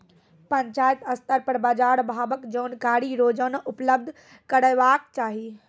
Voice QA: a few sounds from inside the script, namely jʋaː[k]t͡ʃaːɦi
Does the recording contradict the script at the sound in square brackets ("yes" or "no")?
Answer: no